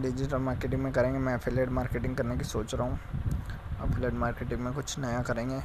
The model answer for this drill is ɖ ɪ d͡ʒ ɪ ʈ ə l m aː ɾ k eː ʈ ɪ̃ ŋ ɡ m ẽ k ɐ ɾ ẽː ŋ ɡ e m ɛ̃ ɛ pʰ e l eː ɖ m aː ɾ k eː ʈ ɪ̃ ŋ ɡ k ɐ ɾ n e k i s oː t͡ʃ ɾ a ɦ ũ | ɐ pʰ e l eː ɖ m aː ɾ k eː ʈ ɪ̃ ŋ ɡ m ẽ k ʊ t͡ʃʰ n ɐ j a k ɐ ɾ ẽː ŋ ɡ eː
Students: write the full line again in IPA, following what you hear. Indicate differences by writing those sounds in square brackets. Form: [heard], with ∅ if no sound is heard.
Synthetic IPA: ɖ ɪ d͡ʒ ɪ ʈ ə l m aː ɾ k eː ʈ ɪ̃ ŋ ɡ m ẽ k ɐ ɾ ẽː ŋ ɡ e m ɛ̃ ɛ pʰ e l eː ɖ m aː ɾ k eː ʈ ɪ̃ ŋ ɡ k ɐ ɾ n e k i s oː t͡ʃ ɾ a ɦ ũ | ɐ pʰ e l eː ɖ m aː ɾ k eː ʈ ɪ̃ ŋ ɡ m ẽ k ʊ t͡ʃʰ n ɐ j a k ɐ ɾ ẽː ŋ ɡ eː